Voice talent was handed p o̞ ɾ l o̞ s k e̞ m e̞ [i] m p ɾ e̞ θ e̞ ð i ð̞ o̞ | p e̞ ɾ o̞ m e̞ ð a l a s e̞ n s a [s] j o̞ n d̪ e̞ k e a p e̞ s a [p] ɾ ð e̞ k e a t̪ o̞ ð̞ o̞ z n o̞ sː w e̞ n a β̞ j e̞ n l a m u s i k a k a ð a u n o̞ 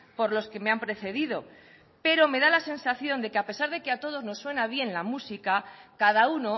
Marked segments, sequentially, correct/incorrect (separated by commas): incorrect, incorrect, incorrect